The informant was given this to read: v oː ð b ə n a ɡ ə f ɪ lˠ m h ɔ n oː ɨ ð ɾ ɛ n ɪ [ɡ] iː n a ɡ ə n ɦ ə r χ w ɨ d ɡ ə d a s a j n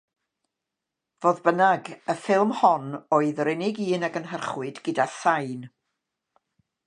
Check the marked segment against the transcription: correct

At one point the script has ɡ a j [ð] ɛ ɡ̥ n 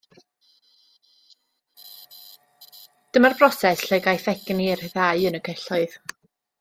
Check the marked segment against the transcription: incorrect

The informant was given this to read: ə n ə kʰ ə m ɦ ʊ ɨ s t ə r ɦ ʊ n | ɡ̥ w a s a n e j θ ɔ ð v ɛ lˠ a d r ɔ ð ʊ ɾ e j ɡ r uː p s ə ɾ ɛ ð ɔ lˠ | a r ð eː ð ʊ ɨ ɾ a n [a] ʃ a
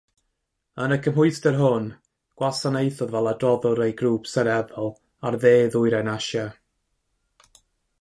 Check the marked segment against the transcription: correct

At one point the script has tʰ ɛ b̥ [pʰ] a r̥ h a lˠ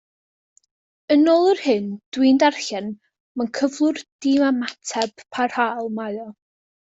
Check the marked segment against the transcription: correct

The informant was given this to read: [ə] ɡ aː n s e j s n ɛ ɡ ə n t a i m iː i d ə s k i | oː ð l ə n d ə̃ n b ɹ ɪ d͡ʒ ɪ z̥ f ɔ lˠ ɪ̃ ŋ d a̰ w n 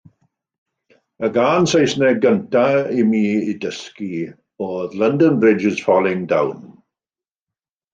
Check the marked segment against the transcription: correct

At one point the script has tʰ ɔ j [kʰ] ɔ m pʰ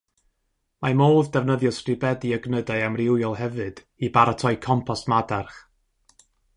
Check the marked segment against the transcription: correct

